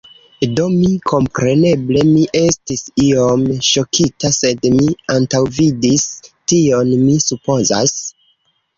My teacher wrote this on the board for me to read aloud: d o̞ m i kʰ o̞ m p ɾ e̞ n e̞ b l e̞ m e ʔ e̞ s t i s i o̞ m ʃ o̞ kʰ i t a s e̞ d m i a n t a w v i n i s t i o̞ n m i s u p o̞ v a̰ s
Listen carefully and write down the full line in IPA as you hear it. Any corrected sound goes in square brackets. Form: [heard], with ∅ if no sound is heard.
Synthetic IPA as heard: d o̞ m i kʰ o̞ m p ɾ e̞ n e̞ b l e̞ m [i] ʔ e̞ s t i s i o̞ m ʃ o̞ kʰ i t a s e̞ d m i a n t a w v i [d] i s t i o̞ n m i s u p o̞ [z] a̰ s

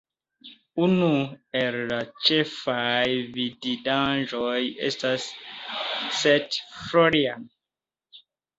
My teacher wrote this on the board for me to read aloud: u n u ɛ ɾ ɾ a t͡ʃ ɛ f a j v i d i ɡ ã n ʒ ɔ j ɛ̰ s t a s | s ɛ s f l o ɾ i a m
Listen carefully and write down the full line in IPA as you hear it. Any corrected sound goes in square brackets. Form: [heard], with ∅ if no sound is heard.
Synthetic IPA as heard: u n u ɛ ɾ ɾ a t͡ʃ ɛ f a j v i d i [d] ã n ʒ ɔ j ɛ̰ s t a s | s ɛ [t] f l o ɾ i a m

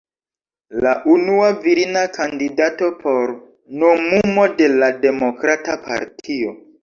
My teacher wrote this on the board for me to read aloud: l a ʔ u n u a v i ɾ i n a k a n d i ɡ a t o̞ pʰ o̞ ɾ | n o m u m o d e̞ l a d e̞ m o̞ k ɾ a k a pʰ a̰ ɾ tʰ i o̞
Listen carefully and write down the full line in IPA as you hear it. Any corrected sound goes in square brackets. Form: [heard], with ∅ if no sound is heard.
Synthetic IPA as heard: l a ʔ u n u a v i ɾ i n a k a n d i [d] a t o̞ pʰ o̞ ɾ | n o m u m o d e̞ l a d e̞ m o̞ k ɾ a [t] a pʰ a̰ ɾ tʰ i o̞

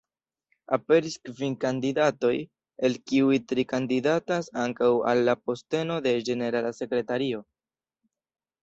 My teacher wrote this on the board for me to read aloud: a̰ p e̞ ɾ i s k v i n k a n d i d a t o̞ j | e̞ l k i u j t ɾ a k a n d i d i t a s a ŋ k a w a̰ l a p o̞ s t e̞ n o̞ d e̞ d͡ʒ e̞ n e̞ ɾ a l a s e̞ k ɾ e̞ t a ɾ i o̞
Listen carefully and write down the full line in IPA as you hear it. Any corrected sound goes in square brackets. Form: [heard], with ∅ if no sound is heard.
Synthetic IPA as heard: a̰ p e̞ ɾ i s k v i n k a n d i d a t o̞ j | e̞ l k i u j t ɾ [i] k a n d i d [a] t a s a ŋ k a w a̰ [lː] a p o̞ s t e̞ n o̞ d e̞ d͡ʒ e̞ n e̞ ɾ a l a s e̞ k ɾ e̞ t a ɾ i o̞

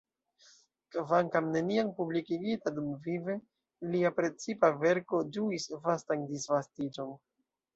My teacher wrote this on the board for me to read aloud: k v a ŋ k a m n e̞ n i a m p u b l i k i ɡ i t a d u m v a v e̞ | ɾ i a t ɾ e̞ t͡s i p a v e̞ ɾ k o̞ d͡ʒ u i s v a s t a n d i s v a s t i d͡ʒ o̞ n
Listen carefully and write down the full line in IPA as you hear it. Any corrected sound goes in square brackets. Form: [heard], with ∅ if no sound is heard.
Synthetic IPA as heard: k v a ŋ k a m n e̞ n i a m p u b l i k i ɡ i t a d u m v [i] v e̞ | [l] i a [p] ɾ e̞ t͡s i p a v e̞ ɾ k o̞ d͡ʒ u i s v a s t a n d i s v a s t i d͡ʒ o̞ n

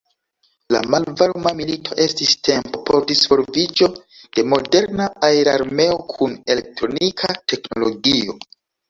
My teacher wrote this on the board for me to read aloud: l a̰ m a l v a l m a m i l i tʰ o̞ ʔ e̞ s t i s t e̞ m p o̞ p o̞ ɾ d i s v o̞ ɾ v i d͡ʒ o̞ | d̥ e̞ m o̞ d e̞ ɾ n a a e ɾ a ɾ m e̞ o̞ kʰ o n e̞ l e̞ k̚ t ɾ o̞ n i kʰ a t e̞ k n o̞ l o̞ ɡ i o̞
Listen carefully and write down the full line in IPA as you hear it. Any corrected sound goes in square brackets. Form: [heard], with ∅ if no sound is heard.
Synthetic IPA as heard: l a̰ m a l v a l m a m i l i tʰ o̞ ʔ e̞ s t i s t e̞ m p o̞ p o̞ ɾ d i s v o̞ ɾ v i d͡ʒ o̞ | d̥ e̞ m o̞ d e̞ ɾ n a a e ɾ a ɾ m e̞ o̞ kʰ [u] n e̞ l e̞ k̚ t ɾ o̞ n i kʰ a t e̞ k n o̞ l o̞ ɡ i o̞

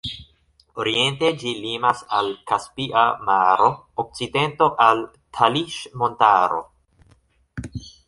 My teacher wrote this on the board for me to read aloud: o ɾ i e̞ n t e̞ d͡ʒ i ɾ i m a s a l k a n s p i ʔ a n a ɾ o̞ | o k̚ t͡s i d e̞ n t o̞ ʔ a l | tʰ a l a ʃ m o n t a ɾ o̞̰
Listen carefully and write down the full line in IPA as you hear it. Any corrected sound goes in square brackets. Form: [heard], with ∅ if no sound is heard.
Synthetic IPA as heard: o ɾ i e̞ n t e̞ d͡ʒ i [l] i m a s a l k a [∅] s p i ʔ a [m] a ɾ o̞ | o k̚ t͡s i d e̞ n t o̞ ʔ a l | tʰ a l [i] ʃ m o n t a ɾ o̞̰

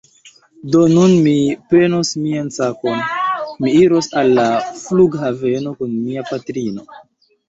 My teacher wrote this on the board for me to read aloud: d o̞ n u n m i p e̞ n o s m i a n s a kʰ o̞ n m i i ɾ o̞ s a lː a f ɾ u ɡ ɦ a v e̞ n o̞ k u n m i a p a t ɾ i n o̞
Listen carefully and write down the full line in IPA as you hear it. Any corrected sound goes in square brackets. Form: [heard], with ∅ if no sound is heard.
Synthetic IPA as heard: d o̞ n u n m i p e̞ n o s m i a n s a [k] o̞ n m i i ɾ o̞ s a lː a f [l] u ɡ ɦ a v e̞ n o̞ k u n m i a p a t ɾ i n o̞

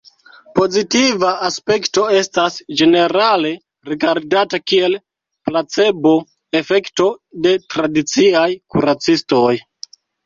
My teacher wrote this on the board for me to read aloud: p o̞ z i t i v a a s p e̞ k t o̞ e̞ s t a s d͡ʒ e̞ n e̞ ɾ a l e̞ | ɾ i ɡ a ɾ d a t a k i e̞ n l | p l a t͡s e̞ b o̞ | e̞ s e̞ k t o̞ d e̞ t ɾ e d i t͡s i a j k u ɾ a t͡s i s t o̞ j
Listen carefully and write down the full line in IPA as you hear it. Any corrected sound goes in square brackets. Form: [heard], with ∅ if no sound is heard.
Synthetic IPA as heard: p o̞ z i t i v a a s p e̞ k t o̞ e̞ s t a s d͡ʒ e̞ n e̞ ɾ a l e̞ | ɾ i ɡ a ɾ d a t a k i e̞ [∅] l | p l a t͡s e̞ b o̞ | e̞ [f] e̞ k t o̞ d e̞ t ɾ [a] d i t͡s i a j k u ɾ a t͡s i s t o̞ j

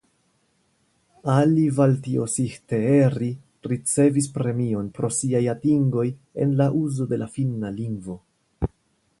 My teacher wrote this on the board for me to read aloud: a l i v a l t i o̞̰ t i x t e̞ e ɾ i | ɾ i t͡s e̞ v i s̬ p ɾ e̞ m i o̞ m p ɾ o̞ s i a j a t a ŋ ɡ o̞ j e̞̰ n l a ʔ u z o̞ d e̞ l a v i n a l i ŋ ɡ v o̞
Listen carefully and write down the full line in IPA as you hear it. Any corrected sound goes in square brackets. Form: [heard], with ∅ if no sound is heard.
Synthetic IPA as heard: a l i v a l t i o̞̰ [s] i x t e̞ e ɾ i | ɾ i t͡s e̞ v i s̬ p ɾ e̞ m i o̞ [n] p ɾ o̞ s i a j a t [i] ŋ ɡ o̞ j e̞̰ n l a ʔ u z o̞ d e̞ l a [f] i n a l i ŋ ɡ v o̞

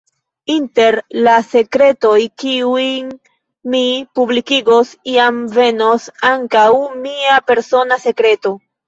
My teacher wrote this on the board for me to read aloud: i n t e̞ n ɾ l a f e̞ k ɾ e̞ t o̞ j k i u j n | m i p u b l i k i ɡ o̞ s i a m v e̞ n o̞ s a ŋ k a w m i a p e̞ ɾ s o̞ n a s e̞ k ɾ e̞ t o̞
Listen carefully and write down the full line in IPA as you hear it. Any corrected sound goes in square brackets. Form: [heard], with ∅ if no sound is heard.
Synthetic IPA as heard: i n t e̞ [∅] ɾ l a [s] e̞ k ɾ e̞ t o̞ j k i u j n | m i p u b l i k i ɡ o̞ s i a m v e̞ n o̞ s a ŋ k a w m i a p e̞ ɾ s o̞ n a s e̞ k ɾ e̞ t o̞

